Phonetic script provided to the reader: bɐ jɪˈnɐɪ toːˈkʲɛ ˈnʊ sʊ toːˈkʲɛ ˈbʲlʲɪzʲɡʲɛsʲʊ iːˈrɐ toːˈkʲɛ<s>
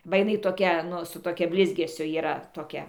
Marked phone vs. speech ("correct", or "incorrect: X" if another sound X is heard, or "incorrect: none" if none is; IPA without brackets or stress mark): incorrect: none